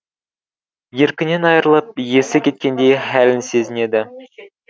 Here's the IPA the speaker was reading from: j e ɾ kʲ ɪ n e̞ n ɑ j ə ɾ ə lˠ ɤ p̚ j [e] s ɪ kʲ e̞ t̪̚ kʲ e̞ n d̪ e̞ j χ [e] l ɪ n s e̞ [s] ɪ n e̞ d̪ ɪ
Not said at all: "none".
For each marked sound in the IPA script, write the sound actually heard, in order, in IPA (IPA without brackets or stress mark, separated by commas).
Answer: e, æ, z